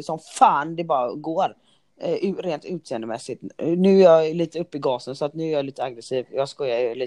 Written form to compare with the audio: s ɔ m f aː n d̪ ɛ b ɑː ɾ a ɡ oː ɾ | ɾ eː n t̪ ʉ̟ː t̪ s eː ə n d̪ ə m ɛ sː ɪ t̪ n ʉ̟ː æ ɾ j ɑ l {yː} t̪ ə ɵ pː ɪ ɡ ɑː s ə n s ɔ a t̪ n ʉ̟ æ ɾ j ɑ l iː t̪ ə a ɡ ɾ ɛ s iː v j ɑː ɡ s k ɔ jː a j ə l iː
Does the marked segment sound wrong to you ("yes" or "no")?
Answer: yes